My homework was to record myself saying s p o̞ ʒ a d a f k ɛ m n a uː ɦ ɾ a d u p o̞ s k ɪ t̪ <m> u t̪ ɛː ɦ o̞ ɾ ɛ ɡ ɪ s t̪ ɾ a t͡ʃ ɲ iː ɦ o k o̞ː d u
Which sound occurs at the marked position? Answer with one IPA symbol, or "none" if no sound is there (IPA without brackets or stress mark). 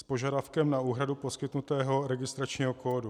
n